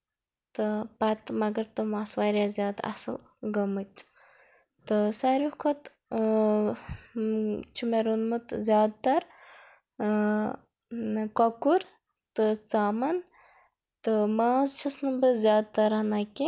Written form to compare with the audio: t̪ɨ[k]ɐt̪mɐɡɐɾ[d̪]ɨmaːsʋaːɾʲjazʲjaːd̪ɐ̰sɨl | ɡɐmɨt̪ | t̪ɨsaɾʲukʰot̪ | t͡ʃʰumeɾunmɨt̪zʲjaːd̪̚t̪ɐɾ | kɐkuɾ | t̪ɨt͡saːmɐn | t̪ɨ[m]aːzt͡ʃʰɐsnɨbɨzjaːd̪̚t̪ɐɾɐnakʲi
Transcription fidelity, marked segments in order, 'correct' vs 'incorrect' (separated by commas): incorrect, incorrect, correct